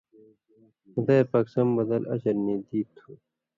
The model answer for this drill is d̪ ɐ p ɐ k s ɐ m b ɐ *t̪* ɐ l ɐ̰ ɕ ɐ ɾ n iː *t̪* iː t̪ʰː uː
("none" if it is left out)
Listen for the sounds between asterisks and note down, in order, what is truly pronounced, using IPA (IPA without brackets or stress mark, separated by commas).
d̪, d̪